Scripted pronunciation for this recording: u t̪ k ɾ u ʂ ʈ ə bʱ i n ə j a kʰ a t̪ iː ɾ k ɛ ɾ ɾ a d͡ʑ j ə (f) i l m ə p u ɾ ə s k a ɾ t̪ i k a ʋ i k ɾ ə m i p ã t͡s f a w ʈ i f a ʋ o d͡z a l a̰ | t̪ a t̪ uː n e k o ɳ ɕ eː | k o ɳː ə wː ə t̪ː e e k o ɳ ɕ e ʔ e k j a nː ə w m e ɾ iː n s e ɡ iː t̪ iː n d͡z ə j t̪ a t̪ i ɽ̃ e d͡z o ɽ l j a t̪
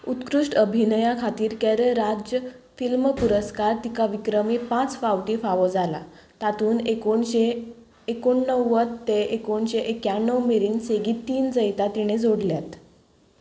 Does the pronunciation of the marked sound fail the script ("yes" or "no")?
no